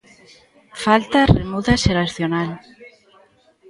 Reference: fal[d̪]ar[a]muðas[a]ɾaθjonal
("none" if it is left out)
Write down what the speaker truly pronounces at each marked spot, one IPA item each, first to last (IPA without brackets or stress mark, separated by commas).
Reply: t̪, e, e